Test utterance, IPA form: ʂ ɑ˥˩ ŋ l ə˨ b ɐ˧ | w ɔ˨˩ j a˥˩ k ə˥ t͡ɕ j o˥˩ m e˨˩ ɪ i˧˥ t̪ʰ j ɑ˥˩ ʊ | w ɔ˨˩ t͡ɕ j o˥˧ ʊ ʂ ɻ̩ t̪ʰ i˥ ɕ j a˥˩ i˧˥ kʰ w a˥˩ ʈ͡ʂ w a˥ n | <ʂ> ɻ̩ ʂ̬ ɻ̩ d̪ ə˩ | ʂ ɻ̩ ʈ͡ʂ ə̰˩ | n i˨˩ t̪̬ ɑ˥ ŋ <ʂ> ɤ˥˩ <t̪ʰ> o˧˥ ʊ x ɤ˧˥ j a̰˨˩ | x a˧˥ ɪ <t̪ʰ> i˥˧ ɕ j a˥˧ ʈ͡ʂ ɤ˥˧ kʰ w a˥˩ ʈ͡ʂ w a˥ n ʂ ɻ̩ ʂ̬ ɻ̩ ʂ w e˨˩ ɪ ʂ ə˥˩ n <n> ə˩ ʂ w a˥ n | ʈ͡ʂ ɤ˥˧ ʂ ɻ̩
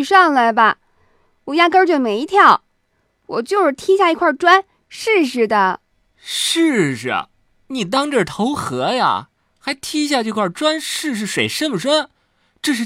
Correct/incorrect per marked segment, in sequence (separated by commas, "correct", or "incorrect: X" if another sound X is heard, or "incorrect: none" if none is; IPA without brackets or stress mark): correct, incorrect: ʈ͡ʂ, correct, correct, incorrect: m